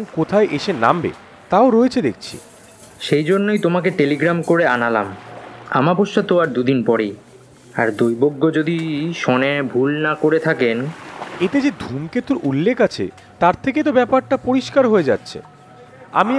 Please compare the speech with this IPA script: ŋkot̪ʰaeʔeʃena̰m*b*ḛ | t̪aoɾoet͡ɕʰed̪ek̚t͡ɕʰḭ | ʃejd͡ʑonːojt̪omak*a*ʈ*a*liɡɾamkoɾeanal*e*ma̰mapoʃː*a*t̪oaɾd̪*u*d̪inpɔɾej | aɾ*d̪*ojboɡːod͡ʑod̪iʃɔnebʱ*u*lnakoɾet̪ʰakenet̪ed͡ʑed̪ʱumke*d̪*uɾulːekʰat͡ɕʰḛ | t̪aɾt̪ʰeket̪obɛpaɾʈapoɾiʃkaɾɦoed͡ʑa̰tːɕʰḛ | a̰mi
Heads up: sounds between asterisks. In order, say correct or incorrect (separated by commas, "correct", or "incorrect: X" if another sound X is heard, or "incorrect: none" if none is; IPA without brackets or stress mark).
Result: correct, incorrect: e, incorrect: e, incorrect: a, correct, correct, correct, correct, incorrect: t̪